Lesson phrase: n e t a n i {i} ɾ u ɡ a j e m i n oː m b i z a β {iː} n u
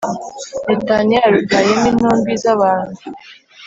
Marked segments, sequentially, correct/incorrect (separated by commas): incorrect, incorrect